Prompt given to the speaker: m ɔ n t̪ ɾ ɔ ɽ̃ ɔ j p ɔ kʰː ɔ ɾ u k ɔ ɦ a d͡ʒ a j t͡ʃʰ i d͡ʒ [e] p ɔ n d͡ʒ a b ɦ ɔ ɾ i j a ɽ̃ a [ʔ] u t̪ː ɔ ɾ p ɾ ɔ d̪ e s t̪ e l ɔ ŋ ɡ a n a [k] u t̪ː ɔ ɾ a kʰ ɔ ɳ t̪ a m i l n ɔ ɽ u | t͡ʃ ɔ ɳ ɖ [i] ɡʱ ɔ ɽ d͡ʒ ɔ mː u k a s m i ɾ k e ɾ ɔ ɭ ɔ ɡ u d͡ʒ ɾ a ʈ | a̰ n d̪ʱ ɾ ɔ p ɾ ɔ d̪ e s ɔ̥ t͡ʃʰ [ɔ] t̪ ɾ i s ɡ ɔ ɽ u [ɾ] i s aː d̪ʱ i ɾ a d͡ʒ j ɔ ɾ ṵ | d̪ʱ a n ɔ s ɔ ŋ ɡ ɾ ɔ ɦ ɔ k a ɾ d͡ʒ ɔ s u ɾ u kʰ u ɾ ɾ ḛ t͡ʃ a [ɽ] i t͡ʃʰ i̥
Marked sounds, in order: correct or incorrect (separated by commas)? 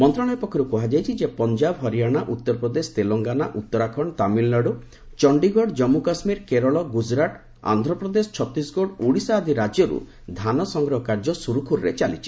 correct, correct, incorrect, correct, correct, incorrect, incorrect